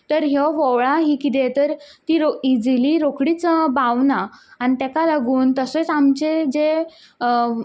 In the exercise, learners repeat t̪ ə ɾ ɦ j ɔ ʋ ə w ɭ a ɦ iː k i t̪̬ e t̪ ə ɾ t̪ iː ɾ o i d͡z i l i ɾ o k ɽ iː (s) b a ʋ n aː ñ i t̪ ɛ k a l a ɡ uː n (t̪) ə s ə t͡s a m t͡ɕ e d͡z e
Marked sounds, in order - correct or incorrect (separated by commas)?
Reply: incorrect, correct